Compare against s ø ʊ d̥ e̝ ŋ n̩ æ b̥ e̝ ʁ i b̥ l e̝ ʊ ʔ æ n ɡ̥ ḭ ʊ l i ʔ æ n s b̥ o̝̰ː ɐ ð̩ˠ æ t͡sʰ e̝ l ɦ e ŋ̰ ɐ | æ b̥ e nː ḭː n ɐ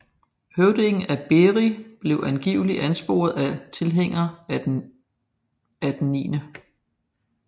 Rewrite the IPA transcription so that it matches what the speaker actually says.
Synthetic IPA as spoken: h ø ʊ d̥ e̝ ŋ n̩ æ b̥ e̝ ʁ i b̥ l e̝ ʊ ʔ æ n ɡ̥ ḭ ʊ l i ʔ æ n s b̥ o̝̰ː ɐ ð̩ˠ æ t͡sʰ e̝ l ɦ e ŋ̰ ɐ | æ d̥ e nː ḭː n ə